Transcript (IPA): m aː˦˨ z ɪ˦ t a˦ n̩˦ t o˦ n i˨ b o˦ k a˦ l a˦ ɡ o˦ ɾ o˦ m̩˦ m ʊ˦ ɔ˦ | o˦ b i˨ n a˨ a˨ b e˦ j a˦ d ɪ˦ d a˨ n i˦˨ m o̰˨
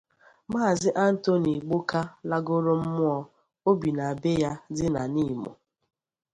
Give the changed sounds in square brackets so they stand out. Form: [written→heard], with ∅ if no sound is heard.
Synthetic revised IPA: m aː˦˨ z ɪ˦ [t→ʔ] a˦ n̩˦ t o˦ n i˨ [b→ɡ͡b] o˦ k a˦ l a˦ ɡ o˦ ɾ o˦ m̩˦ m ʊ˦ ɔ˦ | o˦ b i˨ n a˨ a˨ b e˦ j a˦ d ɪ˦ [d→n] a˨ n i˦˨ m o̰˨